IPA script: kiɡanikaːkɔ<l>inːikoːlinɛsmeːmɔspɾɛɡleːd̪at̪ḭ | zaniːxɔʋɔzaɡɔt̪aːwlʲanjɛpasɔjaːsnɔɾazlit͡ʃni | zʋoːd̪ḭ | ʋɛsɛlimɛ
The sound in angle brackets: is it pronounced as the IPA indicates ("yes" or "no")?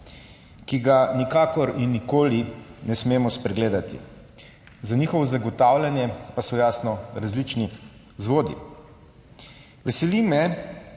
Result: no